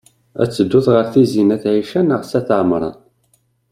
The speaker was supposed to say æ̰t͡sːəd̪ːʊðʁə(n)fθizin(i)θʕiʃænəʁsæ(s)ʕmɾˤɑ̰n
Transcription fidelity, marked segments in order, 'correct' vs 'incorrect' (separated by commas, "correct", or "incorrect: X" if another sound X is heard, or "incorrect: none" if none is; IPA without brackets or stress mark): incorrect: none, incorrect: æ, incorrect: θ